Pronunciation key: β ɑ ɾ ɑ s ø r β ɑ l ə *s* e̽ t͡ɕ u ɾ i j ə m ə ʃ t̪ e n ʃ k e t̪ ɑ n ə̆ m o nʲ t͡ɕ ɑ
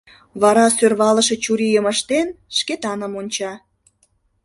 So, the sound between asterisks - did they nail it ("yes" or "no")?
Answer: no